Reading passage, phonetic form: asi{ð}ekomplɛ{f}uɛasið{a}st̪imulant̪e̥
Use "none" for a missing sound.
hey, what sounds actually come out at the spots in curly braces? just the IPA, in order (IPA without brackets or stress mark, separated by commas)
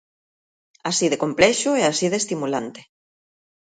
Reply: ð, ʃ, e